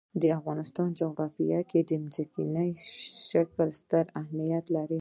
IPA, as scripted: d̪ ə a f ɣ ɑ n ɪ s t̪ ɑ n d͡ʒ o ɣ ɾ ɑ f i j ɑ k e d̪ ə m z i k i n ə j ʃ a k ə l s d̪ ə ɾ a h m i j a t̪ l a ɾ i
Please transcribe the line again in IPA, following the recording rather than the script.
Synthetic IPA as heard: d̪ ə a f ɣ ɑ n ɪ s t̪ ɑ n d͡ʒ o ɣ ɾ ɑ f i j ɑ k e d̪ ə m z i k i n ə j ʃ a k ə l s t̪ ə ɾ a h m i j a t̪ l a ɾ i